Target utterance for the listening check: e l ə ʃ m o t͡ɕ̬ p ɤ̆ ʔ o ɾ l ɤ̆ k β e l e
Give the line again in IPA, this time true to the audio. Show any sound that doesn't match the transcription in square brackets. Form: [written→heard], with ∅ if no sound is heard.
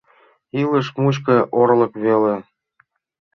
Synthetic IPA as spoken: [e→i] l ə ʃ m [o→u] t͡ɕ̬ [p→k] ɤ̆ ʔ o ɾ l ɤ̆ k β e l e